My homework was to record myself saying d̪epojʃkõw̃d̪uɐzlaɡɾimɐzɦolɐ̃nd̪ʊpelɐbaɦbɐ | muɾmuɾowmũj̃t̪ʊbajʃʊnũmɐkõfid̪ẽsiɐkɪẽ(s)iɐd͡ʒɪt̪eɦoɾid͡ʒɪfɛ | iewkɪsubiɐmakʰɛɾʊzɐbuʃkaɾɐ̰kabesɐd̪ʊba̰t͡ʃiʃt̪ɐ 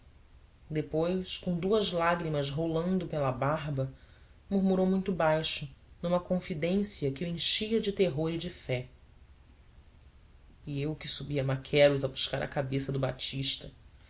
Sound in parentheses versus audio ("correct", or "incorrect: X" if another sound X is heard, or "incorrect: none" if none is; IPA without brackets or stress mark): incorrect: ʃ